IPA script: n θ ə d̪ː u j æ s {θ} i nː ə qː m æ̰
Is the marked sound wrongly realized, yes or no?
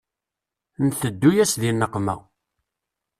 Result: yes